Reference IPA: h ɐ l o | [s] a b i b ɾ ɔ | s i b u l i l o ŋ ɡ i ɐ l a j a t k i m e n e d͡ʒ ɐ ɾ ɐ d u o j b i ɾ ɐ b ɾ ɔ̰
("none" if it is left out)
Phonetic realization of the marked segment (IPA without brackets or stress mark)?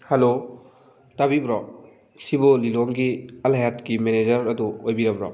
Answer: t